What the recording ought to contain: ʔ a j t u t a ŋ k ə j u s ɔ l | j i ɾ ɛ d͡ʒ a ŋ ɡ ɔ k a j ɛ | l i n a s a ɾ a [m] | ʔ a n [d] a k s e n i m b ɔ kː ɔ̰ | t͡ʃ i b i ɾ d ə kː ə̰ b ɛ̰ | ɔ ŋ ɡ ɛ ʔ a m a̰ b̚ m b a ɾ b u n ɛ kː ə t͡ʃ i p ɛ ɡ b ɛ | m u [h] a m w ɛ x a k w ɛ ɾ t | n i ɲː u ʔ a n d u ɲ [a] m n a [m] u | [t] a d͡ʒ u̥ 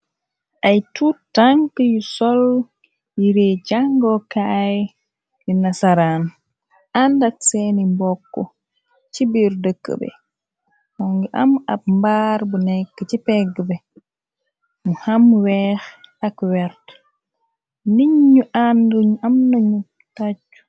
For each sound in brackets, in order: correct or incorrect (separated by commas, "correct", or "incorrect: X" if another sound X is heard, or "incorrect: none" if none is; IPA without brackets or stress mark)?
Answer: incorrect: n, correct, correct, correct, incorrect: ɲ, correct